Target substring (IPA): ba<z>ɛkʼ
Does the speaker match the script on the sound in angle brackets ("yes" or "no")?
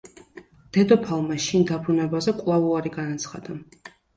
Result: yes